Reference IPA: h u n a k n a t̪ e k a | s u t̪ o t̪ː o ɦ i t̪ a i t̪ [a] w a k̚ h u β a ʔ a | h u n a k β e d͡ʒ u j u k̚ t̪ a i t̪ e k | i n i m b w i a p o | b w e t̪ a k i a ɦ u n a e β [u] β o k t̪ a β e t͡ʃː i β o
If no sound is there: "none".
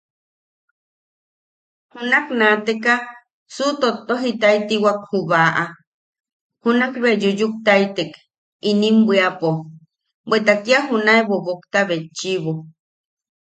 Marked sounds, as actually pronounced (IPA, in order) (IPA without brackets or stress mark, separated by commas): i, o